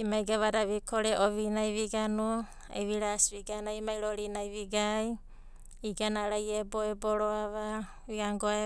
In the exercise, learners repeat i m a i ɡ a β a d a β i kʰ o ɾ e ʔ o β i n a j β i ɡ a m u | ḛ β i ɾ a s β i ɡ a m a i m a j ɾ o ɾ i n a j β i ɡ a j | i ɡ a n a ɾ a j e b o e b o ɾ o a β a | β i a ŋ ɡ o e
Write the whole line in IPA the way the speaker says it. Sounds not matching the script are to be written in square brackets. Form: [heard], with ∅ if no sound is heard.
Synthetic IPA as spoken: i m a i ɡ a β a d a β i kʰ o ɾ e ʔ o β i n a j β i ɡ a [n] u | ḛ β i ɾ a s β i ɡ a [n] a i m a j ɾ o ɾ i n a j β i ɡ a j | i ɡ a n a ɾ a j e b o e b o ɾ o a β a | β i a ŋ ɡ o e